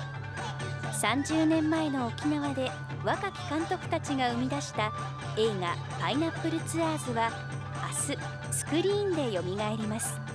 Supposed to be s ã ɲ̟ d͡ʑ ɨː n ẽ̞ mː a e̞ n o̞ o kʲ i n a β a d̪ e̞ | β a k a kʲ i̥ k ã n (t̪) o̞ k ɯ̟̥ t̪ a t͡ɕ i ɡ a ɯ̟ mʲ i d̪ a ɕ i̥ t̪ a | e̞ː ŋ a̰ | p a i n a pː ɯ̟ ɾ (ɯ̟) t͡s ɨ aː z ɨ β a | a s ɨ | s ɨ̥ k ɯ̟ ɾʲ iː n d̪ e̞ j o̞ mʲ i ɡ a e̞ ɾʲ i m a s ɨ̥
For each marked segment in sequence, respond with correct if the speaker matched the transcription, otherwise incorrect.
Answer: correct, correct

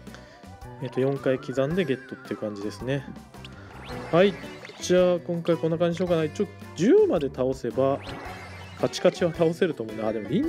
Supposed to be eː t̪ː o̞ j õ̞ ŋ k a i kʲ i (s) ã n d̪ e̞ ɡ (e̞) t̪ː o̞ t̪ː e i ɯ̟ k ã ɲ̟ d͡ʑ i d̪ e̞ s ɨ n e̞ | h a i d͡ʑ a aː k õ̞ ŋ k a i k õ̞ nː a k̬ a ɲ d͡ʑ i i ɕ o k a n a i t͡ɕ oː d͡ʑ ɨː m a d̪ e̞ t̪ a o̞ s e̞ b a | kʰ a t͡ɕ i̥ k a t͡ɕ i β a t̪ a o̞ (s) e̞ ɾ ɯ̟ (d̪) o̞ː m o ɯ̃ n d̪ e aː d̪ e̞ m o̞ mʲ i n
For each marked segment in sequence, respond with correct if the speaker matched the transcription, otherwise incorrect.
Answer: incorrect: z, correct, correct, incorrect: t̪

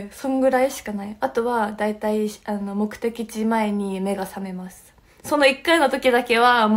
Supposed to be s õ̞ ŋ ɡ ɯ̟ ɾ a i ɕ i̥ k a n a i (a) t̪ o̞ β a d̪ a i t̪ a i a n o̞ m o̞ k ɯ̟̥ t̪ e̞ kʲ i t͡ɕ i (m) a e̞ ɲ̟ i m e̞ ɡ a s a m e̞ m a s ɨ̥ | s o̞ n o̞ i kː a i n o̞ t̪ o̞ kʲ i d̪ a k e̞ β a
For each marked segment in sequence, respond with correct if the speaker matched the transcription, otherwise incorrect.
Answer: correct, correct

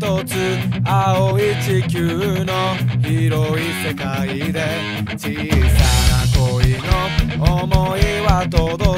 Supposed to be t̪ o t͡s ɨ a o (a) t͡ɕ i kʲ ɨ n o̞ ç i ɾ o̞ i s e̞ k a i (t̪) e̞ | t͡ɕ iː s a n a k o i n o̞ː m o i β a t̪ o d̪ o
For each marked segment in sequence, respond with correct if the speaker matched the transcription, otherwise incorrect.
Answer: incorrect: i, incorrect: d̪

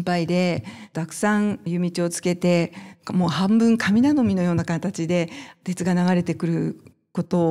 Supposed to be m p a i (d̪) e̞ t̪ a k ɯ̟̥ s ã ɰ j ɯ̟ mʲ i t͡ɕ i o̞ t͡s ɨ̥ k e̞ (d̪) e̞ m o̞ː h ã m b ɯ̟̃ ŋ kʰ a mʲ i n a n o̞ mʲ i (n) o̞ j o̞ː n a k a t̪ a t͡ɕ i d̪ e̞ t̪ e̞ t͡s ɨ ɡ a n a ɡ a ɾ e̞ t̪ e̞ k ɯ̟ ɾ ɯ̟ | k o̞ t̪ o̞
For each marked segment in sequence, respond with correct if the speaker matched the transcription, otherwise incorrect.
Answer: correct, incorrect: t̪, correct

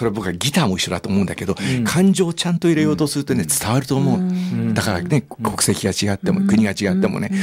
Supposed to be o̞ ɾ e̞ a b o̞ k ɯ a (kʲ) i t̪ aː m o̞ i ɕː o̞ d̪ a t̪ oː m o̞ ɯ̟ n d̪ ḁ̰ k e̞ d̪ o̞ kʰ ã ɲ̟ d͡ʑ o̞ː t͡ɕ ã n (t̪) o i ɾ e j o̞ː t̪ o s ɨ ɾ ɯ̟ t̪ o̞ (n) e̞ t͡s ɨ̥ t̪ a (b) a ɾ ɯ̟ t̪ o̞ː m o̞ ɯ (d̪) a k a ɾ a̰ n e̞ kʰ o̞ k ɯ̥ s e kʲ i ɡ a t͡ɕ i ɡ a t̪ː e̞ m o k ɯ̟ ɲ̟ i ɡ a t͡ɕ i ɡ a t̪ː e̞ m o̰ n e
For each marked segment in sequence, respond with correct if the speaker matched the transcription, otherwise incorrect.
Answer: incorrect: ɡʲ, correct, correct, incorrect: β, correct

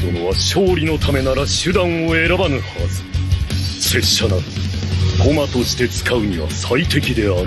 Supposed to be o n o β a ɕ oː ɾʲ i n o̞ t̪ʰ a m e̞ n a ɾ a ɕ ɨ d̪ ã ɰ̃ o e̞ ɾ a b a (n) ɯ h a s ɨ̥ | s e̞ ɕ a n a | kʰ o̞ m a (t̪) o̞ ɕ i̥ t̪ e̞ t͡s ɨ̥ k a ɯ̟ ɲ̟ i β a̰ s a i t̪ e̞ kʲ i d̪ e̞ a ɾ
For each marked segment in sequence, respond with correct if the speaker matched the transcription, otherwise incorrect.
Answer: correct, correct

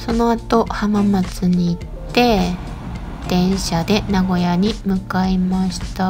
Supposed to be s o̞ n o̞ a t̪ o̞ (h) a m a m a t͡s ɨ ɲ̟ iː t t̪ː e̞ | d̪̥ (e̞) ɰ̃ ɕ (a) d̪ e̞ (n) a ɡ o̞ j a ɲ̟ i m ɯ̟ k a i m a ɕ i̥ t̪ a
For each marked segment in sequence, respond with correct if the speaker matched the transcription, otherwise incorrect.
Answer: correct, incorrect: ẽ̞, correct, correct

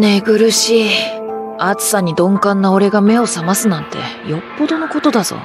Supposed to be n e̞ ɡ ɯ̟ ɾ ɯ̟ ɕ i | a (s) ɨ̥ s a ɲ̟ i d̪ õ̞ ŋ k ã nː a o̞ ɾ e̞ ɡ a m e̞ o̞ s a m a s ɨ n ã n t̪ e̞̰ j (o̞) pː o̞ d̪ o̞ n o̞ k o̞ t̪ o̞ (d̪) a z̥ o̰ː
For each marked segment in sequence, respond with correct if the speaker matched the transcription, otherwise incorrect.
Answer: incorrect: t͡s, correct, correct

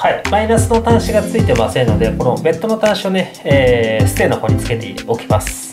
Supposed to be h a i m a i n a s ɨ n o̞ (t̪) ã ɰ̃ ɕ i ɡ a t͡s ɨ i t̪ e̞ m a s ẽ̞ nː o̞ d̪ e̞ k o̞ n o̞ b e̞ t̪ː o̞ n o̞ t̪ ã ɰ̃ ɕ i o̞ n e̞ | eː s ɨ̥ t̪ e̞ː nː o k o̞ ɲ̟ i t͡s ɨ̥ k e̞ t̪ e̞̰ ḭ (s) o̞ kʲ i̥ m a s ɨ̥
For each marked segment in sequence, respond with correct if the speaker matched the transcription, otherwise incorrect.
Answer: correct, incorrect: none

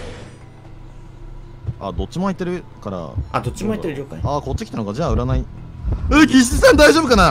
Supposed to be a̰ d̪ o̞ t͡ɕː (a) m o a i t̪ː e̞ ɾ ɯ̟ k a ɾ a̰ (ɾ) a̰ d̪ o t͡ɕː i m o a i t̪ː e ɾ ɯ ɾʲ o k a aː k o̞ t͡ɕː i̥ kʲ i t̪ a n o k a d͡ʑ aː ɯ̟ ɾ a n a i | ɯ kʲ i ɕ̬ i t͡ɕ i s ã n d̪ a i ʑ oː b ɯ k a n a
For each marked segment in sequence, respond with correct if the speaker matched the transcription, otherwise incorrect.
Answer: incorrect: i, incorrect: none

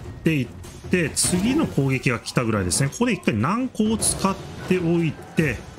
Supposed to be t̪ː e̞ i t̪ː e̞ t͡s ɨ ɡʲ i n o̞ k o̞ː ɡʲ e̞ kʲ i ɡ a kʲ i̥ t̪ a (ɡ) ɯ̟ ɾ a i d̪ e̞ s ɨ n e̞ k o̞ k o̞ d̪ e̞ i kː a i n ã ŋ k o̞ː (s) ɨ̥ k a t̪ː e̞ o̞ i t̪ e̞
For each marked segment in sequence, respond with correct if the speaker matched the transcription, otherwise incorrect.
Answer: correct, incorrect: t͡s

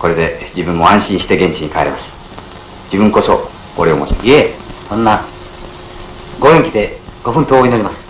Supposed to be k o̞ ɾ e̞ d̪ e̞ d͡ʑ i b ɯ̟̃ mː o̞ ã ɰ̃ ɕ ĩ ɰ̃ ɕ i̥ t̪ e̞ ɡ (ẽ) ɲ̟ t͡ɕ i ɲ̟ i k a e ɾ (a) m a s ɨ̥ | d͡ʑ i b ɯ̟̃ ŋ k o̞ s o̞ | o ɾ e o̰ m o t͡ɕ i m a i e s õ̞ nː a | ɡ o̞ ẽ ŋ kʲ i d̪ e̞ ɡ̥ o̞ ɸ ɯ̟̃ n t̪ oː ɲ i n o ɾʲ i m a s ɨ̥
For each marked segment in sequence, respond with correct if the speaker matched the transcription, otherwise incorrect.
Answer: correct, incorrect: e

